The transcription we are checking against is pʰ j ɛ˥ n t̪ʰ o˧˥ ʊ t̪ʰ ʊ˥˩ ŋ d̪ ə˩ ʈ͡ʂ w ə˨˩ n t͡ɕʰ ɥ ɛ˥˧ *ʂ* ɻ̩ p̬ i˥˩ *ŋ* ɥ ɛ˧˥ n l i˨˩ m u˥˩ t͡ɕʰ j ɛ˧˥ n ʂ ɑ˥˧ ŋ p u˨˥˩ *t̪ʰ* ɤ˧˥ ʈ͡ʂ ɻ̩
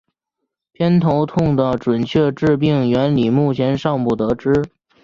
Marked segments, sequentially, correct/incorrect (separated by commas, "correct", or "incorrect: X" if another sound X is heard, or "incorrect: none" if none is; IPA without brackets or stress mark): incorrect: ʈ͡ʂ, correct, incorrect: t̪